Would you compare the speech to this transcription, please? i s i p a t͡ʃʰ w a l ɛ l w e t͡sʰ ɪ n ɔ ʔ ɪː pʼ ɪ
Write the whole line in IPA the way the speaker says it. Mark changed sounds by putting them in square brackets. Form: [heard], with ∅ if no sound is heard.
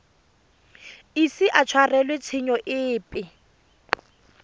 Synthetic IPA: i s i [ʔ] a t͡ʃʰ w a [r] ɛ l w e t͡sʰ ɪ [ɲ] ɔ ʔ ɪː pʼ ɪ